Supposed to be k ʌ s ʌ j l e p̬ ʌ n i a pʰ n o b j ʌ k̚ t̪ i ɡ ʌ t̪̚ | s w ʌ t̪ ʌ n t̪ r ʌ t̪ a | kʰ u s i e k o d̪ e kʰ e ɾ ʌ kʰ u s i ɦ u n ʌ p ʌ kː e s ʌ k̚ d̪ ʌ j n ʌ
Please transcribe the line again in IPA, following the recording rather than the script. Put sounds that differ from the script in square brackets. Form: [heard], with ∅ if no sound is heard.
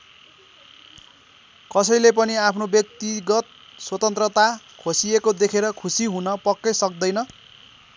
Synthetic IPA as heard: k ʌ s ʌ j l e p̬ ʌ n i a pʰ n o b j ʌ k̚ t̪ i ɡ ʌ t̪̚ | s w ʌ t̪ ʌ n t̪ r ʌ t̪ a | kʰ [o] s i e k o d̪ e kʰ e ɾ ʌ kʰ u s i ɦ u n ʌ p ʌ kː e s ʌ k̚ d̪ ʌ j n ʌ